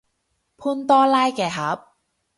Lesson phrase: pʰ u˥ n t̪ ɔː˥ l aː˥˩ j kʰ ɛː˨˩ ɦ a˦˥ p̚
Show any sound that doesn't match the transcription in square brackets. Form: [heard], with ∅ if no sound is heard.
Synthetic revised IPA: pʰ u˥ n t̪ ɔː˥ l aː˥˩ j [k] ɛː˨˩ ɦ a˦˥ p̚